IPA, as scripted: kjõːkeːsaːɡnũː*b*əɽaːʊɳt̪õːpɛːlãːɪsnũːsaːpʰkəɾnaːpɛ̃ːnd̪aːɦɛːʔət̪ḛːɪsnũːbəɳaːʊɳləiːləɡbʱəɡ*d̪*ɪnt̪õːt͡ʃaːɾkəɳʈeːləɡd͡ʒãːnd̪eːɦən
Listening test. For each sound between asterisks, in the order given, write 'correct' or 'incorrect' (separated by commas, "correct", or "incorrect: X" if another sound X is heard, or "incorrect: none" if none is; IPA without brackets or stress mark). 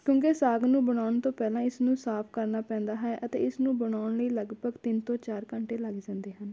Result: correct, incorrect: t̪